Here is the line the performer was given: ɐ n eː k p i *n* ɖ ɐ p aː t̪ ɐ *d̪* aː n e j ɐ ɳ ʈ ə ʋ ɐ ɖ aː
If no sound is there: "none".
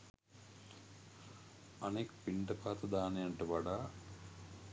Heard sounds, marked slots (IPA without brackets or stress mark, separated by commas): ɳ, d̪